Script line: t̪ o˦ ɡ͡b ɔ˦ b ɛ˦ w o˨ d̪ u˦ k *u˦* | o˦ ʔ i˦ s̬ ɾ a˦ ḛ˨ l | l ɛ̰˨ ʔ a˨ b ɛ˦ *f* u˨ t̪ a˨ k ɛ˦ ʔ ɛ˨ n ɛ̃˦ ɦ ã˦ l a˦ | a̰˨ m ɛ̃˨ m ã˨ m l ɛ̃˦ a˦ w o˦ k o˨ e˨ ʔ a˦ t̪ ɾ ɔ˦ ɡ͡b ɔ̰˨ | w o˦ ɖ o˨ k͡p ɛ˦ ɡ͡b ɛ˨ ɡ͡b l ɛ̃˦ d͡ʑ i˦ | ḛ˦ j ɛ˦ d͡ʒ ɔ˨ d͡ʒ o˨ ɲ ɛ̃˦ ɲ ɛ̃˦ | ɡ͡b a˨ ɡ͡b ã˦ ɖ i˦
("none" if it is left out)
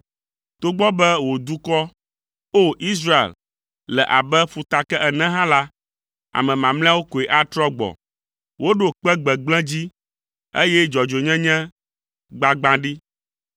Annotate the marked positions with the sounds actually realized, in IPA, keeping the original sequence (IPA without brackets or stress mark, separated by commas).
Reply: ɔ˦, f